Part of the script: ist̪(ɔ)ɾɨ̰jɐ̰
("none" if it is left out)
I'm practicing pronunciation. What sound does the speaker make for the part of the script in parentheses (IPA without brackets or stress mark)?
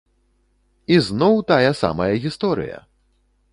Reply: ɔ